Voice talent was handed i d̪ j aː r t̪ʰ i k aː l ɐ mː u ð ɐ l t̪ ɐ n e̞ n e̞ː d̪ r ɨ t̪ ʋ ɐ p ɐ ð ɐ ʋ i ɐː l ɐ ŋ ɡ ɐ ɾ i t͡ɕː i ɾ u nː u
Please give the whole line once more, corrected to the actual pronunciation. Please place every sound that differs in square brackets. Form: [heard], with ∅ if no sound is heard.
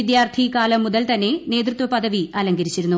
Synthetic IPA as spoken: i d̪ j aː r t̪ʰ i k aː l ɐ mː u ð ɐ l t̪ ɐ [nː] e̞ n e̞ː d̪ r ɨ t̪ ʋ ɐ p ɐ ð ɐ ʋ i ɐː l ɐ ŋ ɡ ɐ ɾ i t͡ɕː i ɾ u nː u